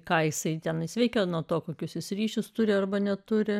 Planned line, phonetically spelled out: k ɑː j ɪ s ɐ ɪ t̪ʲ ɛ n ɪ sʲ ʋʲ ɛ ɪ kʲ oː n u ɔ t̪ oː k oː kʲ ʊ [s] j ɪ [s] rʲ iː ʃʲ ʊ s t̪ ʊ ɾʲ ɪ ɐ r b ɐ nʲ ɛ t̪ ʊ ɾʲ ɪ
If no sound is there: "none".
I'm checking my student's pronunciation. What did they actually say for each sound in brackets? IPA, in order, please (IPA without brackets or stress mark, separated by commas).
s, s